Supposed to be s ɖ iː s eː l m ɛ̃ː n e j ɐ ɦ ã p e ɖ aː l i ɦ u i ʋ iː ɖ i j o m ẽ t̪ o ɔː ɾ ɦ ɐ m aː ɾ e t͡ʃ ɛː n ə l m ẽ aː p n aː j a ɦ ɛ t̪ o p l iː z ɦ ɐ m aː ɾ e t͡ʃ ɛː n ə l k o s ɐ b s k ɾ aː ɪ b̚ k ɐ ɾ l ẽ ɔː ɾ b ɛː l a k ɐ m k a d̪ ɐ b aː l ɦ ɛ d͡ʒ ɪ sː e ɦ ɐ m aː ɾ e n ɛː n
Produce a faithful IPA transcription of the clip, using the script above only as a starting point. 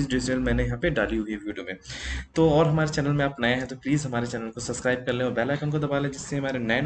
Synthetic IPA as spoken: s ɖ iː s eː l m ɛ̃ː n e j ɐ ɦ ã p e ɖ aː l i ɦ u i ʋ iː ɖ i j o m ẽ t̪ o ɔː ɾ ɦ ɐ m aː ɾ e t͡ʃ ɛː n ə l m ẽ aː p n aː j a ɦ ɛ t̪ o p l iː z ɦ ɐ m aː ɾ e t͡ʃ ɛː n ə l k o s ɐ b s k ɾ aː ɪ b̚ k ɐ ɾ l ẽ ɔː ɾ b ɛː l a k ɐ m k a d̪ ɐ b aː l ɦ ɛ d͡ʒ ɪ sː e ɦ ɐ m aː ɾ e n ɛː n

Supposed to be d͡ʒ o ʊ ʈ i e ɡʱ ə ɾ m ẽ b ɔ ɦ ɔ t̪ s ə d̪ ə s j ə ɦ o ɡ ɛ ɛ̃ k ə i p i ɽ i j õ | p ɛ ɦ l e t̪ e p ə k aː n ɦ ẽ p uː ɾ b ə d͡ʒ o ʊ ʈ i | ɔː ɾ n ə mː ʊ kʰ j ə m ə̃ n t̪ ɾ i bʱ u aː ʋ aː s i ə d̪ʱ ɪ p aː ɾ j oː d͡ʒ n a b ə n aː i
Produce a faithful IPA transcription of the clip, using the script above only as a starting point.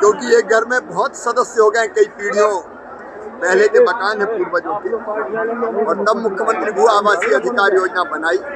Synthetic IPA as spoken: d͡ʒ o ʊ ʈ i e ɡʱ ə ɾ m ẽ b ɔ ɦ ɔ t̪ s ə d̪ ə s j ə ɦ o ɡ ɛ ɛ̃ k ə i p i ɽ i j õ | p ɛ ɦ l e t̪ e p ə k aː n ɦ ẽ p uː ɾ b ə d͡ʒ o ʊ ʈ i | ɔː ɾ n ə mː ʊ kʰ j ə m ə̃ n t̪ ɾ i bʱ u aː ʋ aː s i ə d̪ʱ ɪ k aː ɾ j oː d͡ʒ n a b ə n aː i

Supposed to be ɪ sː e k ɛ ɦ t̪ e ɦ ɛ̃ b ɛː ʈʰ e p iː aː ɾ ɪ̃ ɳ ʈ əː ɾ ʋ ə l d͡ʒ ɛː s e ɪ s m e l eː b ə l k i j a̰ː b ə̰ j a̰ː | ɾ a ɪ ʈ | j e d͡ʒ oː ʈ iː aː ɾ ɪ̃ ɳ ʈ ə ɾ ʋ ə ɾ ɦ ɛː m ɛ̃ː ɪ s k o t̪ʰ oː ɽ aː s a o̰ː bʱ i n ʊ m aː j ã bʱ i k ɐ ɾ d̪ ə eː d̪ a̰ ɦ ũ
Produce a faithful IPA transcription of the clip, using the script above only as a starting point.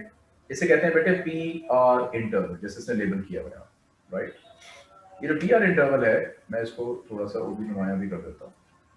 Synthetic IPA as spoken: ɪ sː e k ɛ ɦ t̪ e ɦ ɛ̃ b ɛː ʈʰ e p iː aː ɾ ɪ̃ ɳ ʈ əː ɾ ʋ ə l d͡ʒ ɛː s e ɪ s n e l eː b ə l k i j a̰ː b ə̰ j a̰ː | ɾ a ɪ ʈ | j e d͡ʒ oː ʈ iː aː ɾ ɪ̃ ɳ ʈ ə ɾ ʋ ə l ɦ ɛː m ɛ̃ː ɪ s k o t̪ʰ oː ɽ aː s a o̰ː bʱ i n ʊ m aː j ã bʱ i k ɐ ɾ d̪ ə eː t̪ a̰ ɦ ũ

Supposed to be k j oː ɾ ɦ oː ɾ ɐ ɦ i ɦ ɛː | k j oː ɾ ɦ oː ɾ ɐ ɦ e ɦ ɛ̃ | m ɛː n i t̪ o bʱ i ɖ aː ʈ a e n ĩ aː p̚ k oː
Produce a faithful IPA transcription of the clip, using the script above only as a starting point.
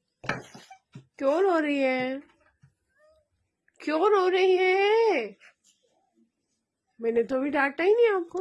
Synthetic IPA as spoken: k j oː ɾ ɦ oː ɾ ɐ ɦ i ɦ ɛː | k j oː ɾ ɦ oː ɾ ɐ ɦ i ɦ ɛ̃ | m ɛː n e t̪ o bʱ i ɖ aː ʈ a i n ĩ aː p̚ k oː

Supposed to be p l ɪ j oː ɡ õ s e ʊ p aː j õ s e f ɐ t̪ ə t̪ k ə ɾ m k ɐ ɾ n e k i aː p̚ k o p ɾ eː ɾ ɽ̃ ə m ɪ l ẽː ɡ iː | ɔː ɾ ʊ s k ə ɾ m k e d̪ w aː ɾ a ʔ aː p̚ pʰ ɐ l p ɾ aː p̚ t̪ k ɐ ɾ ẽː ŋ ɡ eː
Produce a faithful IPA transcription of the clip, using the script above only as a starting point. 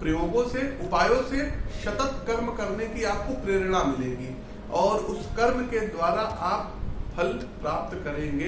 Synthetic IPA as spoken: p ɾ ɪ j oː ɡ õ s e ʊ p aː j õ s e ʃ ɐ t̪ ə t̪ k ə ɾ m k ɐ ɾ n e k i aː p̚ k o p ɾ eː ɾ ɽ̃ a m ɪ l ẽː ɡ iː | ɔː ɾ ʊ s k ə ɾ m k e d̪ w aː ɾ a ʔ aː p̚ pʰ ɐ l p ɾ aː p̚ t̪ k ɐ ɾ ẽː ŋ ɡ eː

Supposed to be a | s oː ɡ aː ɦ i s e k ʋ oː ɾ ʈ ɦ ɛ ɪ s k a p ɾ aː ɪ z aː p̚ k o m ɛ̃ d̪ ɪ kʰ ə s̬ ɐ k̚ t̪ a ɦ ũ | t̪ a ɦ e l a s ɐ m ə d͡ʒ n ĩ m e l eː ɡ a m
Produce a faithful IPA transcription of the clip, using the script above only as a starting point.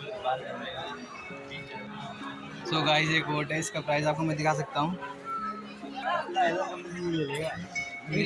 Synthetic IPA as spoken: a | s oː ɡ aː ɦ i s e k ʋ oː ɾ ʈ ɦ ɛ ɪ s k a p ɾ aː ɪ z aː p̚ k o m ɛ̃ d̪ ɪ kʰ a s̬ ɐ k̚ t̪ a ɦ ũ | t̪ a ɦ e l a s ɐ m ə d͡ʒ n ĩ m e l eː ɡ a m

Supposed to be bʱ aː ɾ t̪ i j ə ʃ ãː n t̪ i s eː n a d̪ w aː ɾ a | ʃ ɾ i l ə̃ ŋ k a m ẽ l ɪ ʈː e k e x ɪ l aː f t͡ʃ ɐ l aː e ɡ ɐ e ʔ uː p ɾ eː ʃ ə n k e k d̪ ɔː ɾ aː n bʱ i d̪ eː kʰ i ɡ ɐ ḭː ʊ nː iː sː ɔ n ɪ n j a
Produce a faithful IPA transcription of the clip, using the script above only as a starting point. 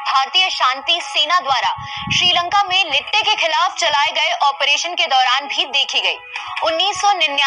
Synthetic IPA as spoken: bʱ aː ɾ t̪ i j ə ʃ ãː n t̪ i s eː n a d̪ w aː ɾ a | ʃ ɾ iː l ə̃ ŋ k a m ẽ l ɪ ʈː e k e x ɪ l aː f t͡ʃ ɐ l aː e ɡ ɐ e ʔ ɔː p ɾ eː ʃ ə n k e d̪ ɔː ɾ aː n bʱ i d̪ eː kʰ i ɡ ɐ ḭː ʊ nː iː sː ɔ n ɪ n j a

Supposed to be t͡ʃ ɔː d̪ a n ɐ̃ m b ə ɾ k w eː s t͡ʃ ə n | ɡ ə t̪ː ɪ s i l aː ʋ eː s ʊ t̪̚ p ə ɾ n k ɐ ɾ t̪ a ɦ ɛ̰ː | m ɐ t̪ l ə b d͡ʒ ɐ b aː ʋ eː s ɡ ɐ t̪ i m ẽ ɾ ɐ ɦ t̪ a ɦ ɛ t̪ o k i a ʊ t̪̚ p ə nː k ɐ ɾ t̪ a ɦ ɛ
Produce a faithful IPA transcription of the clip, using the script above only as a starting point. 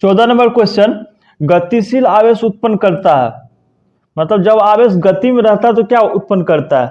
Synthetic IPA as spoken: t͡ʃ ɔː d̪ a n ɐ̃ m b ə ɾ k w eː s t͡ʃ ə n | ɡ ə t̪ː i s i l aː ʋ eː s ʊ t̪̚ p ə n k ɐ ɾ t̪ a ɦ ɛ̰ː | m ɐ t̪ l ə b d͡ʒ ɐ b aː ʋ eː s ɡ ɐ t̪ i m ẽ ɾ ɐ ɦ t̪ a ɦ ɛ t̪ o k j a ʊ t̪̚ p ə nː k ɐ ɾ t̪ a ɦ ɛ

